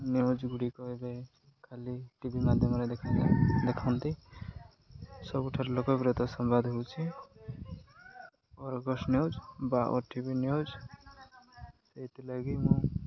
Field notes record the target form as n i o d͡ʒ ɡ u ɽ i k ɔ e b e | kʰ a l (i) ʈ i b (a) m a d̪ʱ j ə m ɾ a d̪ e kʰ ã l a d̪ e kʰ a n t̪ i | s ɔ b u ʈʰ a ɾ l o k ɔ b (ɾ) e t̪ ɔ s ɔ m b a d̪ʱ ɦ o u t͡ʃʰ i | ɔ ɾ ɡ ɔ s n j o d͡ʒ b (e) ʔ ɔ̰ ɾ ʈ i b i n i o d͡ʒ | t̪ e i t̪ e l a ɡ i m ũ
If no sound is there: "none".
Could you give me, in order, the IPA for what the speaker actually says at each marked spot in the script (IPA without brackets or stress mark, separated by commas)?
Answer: i, i, ɾ, a